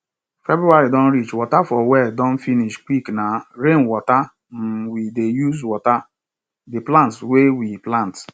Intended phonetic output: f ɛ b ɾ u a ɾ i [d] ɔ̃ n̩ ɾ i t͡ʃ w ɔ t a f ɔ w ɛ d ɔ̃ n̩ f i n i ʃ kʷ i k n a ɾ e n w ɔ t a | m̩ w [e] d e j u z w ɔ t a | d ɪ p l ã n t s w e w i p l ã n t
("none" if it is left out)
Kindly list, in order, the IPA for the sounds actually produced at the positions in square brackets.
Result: d, i

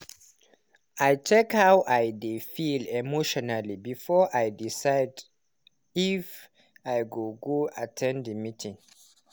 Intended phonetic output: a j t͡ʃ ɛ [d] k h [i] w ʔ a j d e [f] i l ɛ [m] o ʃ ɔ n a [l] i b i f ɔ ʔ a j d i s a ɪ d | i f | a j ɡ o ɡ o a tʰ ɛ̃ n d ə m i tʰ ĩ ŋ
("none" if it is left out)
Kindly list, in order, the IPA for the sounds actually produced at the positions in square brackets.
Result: none, a, f, m, l

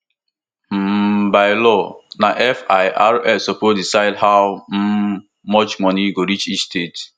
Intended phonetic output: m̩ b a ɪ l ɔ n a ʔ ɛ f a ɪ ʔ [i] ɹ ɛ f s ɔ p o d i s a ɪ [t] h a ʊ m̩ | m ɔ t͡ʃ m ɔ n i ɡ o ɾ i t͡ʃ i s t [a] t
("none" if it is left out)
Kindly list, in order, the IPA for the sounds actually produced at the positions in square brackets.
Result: a, d, e

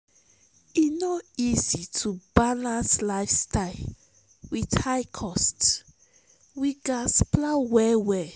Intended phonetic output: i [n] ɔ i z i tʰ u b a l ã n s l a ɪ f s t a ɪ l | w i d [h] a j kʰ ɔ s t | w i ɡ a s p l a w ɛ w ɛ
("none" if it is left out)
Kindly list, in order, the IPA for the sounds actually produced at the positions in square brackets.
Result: n, h

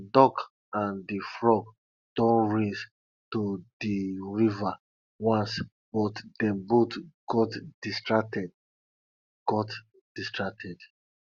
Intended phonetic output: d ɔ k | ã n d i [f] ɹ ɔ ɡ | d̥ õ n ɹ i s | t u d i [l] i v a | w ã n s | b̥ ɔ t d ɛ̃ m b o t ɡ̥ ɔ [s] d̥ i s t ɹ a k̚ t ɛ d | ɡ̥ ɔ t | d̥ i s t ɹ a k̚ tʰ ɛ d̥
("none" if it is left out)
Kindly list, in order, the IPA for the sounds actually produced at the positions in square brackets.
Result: f, ɹ, t

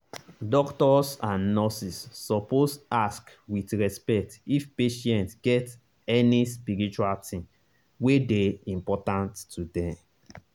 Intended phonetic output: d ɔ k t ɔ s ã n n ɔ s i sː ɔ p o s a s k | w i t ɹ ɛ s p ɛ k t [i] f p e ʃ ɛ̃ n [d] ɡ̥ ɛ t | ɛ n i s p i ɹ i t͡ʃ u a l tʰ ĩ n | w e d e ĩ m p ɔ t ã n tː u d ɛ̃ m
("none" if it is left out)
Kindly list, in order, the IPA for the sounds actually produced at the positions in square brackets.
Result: i, t

